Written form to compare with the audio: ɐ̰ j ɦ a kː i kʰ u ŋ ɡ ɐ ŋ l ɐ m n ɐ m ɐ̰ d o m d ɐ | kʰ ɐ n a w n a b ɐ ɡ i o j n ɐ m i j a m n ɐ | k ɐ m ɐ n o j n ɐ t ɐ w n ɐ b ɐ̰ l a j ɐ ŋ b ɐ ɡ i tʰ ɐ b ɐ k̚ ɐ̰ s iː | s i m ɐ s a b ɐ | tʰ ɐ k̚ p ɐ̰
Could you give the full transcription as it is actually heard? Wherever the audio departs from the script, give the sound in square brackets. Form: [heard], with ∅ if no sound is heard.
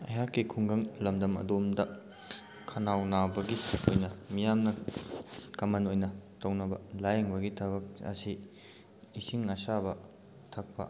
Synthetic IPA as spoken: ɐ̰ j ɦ a kː i kʰ u ŋ ɡ ɐ ŋ l ɐ m [d] ɐ m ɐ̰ d o m d ɐ | kʰ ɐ n a w n a b ɐ ɡ i o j n ɐ m i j a m n ɐ | k ɐ m ɐ n o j n ɐ t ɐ w n ɐ b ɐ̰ l a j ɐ ŋ b ɐ ɡ i tʰ ɐ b ɐ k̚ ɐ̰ s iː | s i [ŋ] ɐ s a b ɐ | tʰ ɐ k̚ p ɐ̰